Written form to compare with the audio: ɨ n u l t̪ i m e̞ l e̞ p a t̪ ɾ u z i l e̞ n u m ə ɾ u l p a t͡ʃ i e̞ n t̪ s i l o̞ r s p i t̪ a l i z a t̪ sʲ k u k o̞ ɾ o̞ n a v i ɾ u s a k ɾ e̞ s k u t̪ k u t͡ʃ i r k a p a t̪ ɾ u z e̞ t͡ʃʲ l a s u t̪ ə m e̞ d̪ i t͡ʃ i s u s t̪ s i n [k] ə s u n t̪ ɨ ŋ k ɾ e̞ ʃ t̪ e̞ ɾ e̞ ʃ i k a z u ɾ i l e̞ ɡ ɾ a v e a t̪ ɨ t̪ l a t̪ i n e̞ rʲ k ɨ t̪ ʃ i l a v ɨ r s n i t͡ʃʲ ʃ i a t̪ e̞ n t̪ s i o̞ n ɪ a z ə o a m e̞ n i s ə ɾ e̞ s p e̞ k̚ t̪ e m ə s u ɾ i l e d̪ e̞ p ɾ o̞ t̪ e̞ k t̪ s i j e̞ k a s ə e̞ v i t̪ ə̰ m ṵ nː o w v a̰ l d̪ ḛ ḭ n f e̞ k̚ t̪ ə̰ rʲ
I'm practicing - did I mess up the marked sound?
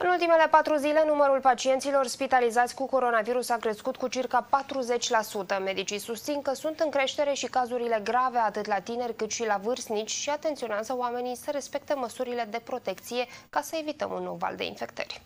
no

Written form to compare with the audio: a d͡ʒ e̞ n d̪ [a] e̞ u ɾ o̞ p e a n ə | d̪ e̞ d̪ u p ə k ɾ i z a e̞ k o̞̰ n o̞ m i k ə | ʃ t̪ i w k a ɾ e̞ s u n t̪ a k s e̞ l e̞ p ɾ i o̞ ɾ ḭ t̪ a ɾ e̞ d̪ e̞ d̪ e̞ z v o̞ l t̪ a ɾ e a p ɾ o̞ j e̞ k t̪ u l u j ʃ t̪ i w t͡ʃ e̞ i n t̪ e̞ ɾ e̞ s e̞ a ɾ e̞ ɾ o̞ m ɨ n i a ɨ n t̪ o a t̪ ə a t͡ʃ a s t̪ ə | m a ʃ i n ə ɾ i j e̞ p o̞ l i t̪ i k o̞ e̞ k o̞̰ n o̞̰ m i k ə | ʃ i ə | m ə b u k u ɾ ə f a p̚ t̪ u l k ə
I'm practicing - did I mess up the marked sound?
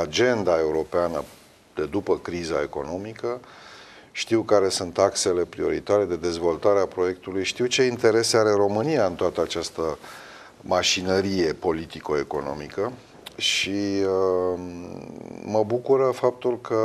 no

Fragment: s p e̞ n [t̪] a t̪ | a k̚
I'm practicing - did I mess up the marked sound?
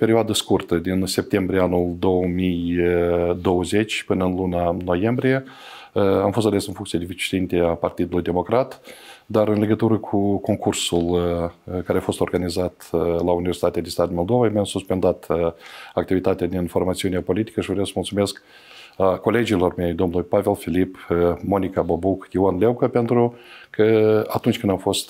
yes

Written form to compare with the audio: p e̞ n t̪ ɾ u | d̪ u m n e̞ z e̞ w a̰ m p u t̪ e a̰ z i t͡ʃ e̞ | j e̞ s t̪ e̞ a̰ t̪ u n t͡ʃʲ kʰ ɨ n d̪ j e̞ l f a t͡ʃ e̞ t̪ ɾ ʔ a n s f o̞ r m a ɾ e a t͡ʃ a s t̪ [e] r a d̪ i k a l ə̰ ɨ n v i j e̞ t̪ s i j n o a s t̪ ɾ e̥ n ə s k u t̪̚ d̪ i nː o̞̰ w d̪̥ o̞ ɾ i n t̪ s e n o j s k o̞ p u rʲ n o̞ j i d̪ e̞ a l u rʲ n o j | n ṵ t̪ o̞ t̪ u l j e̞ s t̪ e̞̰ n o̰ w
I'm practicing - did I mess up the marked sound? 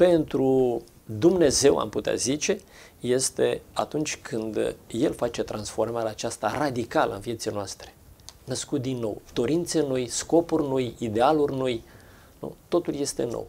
yes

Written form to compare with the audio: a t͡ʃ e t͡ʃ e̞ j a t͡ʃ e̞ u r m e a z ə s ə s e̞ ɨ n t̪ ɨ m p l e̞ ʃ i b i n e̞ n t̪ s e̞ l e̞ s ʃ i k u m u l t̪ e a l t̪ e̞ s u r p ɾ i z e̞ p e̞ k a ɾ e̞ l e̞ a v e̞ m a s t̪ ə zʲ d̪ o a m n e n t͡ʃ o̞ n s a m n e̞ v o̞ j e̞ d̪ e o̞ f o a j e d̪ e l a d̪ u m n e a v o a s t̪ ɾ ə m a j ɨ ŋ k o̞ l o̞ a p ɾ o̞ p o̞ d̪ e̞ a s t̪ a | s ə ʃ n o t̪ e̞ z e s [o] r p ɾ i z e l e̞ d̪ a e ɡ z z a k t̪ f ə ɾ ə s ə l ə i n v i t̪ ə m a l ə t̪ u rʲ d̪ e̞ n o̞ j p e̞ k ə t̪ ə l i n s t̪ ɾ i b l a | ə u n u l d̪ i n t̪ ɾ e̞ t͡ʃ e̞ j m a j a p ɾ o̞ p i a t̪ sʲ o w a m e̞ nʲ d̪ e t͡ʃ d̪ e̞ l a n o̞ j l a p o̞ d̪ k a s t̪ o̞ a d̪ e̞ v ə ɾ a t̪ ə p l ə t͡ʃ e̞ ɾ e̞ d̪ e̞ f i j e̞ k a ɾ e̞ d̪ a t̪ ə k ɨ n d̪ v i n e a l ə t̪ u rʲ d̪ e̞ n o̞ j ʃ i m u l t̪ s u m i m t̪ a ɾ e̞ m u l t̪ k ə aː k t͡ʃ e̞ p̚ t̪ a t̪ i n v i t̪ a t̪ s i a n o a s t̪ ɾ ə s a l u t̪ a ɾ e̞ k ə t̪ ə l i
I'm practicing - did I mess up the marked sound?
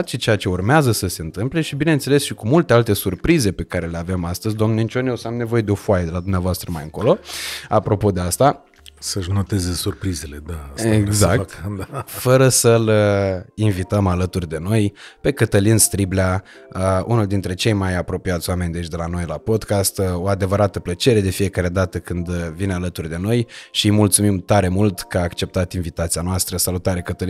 yes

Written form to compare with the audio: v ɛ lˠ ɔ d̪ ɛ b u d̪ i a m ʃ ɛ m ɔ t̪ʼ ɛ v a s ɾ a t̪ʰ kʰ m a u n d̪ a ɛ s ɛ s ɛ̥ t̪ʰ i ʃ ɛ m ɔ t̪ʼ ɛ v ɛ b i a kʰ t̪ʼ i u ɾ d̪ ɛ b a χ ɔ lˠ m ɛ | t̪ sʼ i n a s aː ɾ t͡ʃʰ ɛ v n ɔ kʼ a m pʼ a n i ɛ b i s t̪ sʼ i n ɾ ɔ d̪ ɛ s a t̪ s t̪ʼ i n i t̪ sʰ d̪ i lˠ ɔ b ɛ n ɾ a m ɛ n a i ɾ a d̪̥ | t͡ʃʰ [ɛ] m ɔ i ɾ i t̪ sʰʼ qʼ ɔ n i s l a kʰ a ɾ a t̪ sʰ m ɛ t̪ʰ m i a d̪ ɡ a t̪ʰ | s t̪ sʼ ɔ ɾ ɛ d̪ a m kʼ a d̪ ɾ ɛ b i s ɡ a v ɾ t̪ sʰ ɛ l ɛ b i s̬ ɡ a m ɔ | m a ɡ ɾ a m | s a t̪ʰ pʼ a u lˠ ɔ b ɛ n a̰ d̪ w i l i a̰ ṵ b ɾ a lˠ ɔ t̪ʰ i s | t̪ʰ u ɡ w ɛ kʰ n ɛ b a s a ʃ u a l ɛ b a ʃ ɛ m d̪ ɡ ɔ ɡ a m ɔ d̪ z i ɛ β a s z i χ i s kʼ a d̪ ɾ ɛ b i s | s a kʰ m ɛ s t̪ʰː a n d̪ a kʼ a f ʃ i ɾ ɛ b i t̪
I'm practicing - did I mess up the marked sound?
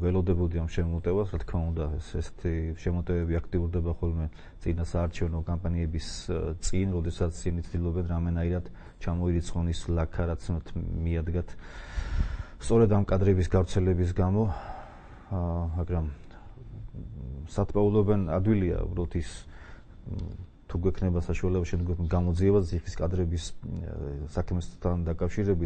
yes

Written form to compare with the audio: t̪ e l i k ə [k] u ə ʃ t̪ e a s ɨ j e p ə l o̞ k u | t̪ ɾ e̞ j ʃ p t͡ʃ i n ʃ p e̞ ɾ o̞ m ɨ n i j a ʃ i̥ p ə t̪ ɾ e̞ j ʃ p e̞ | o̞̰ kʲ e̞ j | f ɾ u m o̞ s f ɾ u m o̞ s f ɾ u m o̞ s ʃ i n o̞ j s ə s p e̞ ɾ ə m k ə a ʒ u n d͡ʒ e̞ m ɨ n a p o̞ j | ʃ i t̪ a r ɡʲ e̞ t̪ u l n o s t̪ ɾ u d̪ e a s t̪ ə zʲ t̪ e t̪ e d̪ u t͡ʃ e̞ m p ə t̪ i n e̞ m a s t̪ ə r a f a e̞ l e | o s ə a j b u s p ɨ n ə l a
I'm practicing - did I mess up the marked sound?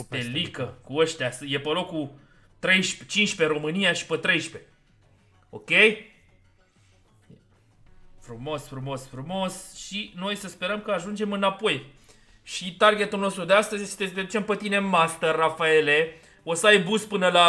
no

